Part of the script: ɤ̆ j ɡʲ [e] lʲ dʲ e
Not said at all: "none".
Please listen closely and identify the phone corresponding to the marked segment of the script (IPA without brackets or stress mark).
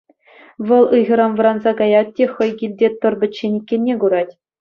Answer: i